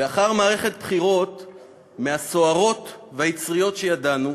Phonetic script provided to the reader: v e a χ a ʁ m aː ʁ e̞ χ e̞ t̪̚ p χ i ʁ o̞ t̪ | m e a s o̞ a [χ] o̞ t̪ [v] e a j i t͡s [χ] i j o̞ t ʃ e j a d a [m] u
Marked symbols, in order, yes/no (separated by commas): no, yes, no, no